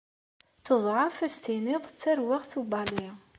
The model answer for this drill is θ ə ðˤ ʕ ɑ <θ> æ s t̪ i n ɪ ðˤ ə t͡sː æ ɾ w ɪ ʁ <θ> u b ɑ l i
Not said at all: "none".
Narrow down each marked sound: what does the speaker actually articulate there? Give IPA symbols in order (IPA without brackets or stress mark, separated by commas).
f, θ